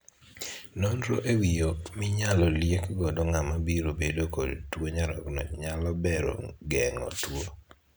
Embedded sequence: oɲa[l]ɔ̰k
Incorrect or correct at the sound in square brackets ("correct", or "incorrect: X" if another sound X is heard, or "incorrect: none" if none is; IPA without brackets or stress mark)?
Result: incorrect: ɾ